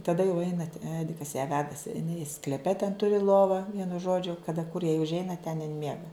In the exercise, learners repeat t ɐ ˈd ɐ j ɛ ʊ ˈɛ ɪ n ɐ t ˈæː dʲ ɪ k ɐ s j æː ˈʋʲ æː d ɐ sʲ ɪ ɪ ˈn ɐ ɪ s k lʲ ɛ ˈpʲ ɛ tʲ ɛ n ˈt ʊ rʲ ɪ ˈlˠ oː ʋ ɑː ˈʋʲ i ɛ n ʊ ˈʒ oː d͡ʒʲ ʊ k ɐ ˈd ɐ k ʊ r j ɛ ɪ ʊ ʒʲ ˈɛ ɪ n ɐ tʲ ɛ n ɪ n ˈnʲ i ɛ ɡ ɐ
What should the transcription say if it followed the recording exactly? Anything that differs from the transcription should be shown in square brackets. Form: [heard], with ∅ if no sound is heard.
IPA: t ɐ ˈd ɐ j ɛ ʊ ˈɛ ɪ n ɐ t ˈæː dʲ ɪ k ɐ s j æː ˈʋʲ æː d ɐ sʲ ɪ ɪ ˈn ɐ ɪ s k lʲ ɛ ˈpʲ ɛ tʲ ɛ n ˈt ʊ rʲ ɪ ˈlˠ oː ʋ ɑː ˈʋʲ i ɛ n ʊ ˈʒ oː d͡ʒʲ ʊ k ɐ ˈd ɐ k ʊ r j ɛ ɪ ʊ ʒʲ ˈɛ ɪ n ɐ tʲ ɛ n ɪ n [ˈmʲ] i ɛ ɡ ɐ